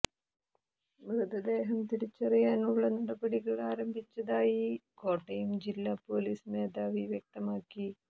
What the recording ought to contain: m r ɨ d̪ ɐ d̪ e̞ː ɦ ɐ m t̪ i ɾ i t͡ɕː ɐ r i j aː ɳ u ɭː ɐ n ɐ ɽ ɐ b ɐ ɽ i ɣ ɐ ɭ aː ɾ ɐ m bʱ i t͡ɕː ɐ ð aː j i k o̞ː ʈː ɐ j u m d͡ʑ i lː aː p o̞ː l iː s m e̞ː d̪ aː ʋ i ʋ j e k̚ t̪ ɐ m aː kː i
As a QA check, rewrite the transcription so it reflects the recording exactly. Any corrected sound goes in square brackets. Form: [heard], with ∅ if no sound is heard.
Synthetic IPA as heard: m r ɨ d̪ ɐ d̪ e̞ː ɦ ɐ m t̪ i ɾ i t͡ɕː ɐ r i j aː [n] u ɭː ɐ n ɐ ɽ ɐ b ɐ ɽ i ɣ ɐ ɭ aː ɾ ɐ m bʱ i t͡ɕː ɐ ð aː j i k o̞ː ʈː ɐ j u m d͡ʑ i lː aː p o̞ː l iː s m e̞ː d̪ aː ʋ i ʋ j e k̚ t̪ ɐ m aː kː i